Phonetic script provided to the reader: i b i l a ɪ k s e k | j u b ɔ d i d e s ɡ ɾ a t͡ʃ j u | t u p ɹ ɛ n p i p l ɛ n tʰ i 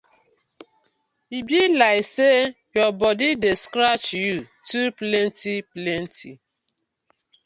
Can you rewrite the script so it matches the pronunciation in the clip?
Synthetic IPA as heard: i b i l a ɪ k s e | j ɔ b ɔ d i d e s k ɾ a t͡ʃ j u | t u p l ɛ n t i p l ɛ n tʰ i